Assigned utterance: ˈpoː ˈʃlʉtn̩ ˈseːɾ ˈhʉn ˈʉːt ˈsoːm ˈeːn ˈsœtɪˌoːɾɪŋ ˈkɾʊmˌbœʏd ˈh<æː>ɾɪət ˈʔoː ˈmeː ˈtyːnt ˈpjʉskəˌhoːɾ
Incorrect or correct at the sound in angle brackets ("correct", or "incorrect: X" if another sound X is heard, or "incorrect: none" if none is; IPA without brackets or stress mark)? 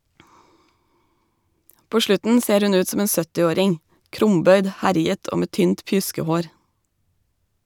incorrect: æ